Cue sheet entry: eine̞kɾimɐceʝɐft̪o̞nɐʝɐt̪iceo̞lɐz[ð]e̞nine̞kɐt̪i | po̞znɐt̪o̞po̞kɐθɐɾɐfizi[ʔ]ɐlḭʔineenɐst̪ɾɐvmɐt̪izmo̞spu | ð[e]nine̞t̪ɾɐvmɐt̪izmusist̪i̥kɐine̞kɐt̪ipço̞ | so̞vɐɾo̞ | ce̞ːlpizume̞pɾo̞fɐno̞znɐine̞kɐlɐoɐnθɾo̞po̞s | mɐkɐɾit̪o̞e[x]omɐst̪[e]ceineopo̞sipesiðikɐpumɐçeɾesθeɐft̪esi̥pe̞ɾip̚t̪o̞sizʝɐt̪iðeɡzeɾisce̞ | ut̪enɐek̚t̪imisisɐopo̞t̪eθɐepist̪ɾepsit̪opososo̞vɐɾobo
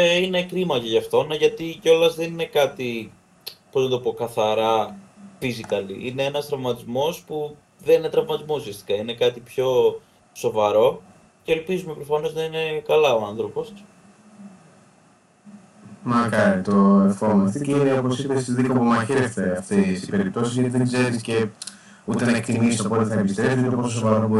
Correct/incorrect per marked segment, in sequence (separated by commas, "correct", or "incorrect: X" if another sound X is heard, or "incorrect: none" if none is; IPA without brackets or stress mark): correct, incorrect: k, correct, incorrect: f, incorrect: i